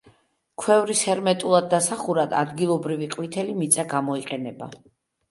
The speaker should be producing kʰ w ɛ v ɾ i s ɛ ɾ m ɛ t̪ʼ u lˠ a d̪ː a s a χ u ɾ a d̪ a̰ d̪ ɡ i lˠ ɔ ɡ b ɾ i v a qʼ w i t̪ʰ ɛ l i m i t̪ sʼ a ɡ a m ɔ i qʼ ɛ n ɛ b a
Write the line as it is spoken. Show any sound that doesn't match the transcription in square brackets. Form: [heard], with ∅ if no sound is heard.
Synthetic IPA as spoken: kʰ w ɛ v ɾ i s ɛ ɾ m ɛ t̪ʼ u lˠ a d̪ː a s a χ u ɾ a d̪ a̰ d̪ ɡ i lˠ ɔ [∅] b ɾ i v [i] qʼ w i t̪ʰ ɛ l i m i t̪ sʼ a ɡ a m ɔ i qʼ ɛ n ɛ b a